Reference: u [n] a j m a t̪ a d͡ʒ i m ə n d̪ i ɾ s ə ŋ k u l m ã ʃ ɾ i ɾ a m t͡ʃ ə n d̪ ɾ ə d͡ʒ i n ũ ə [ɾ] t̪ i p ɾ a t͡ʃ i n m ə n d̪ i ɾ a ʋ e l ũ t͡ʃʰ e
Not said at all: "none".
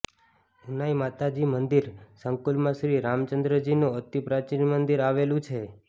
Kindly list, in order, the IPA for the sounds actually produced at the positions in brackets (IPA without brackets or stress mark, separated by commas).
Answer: n, none